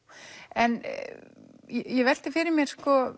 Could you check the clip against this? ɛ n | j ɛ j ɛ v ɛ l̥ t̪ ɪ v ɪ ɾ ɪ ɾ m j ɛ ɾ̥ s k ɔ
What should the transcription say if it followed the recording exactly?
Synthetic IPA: ɛ n | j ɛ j ɛ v ɛ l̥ t̪ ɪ f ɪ ɾ ɪ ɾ m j ɛ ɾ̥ s k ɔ

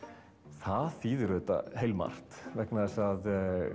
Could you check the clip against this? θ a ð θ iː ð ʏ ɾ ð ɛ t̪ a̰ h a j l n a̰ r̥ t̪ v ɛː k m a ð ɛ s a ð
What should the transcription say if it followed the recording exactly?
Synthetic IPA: θ a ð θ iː ð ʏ ɾ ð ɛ t̪ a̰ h e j l m a̰ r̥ t̪ v ɛ k n a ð ɛ s a ð

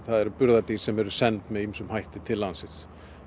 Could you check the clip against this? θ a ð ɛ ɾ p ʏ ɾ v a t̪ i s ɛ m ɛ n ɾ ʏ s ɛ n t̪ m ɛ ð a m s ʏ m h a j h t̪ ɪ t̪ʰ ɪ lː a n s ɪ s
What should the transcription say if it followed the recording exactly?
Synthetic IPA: θ a ð ɛ ɾ p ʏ ɾ ð a t̪ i s ɛ m ɛ ɾ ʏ s ɛ n t̪ m ɛ ð i m s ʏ m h a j h t̪ ɪ t̪ʰ ɪ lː a n s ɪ s

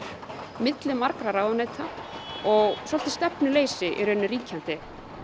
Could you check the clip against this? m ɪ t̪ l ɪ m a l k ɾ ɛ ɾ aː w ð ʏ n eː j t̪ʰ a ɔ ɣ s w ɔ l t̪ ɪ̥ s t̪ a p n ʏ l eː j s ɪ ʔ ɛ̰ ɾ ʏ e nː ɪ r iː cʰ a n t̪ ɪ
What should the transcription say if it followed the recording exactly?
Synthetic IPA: m ɪ t̪ l ɪ m a ɾ k ɾ a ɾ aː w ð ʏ n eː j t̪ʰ a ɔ ɣ s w ɔ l t̪ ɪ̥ s t̪ ɛ p n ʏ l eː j s ɪ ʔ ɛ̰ ɾ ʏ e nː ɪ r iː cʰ a n t̪ ɪ

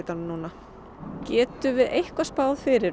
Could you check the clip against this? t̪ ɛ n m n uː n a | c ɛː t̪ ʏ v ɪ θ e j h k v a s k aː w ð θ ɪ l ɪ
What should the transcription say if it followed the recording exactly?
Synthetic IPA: t̪ a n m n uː n a | c ɛː t̪ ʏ v ɪ ð e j h k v a s p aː w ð f ɪ ɾ ɪ

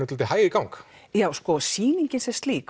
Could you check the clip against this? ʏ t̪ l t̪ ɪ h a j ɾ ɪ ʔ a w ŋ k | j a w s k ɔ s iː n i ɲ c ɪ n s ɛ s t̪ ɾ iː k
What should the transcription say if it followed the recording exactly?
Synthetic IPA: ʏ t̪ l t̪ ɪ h a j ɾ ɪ k a w ŋ k | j a w s k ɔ s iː n i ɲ c ɪ n s ɛ s t̪ l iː k

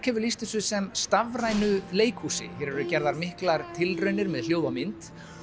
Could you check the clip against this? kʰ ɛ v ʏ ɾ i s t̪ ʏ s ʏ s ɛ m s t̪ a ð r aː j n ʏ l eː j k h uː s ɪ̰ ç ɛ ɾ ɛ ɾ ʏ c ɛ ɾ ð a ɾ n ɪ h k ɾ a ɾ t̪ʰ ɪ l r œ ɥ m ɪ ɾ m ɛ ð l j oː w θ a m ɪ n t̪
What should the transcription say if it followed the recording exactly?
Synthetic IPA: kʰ ɛ v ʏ l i s t̪ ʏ s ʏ s ɛ m s t̪ a v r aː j n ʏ l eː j k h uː s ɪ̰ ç ɛ ɾ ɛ ɾ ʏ c ɛ ɾ ð a ɾ m ɪ h k l a ɾ t̪ʰ ɪ l r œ ɥ n ɪ ɾ m ɛ ð l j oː w ð a m ɪ n t̪

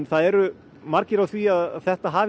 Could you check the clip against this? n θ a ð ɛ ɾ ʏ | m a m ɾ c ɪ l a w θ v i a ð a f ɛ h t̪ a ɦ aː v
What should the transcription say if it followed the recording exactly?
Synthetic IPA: n θ a ð ɛ ɾ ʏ | m a ɾ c ɪ ɾ a w θ v i a ð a θ ɛ h t̪ a ɦ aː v

